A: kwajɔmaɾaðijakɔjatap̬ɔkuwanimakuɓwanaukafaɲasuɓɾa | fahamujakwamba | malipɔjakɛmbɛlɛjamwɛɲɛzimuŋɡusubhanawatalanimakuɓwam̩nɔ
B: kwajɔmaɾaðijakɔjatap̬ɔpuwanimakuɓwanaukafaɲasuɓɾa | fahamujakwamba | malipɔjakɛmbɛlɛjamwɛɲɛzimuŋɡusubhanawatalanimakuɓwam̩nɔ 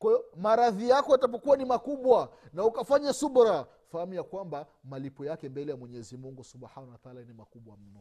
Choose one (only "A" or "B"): A